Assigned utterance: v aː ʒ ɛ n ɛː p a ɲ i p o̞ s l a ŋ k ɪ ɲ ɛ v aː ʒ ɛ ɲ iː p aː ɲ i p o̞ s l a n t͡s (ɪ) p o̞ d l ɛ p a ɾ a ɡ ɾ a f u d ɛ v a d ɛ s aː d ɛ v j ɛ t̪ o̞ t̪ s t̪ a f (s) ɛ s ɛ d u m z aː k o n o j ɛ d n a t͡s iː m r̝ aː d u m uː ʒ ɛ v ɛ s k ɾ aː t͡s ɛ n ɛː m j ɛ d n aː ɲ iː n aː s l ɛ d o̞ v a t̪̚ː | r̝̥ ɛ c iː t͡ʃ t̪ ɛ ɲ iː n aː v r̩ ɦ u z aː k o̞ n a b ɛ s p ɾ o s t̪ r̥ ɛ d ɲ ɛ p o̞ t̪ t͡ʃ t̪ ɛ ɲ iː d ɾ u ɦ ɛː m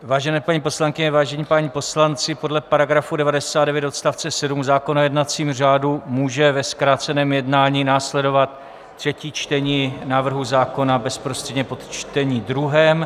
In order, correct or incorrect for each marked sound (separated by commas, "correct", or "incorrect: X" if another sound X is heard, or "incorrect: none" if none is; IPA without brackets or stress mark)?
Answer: correct, incorrect: t͡s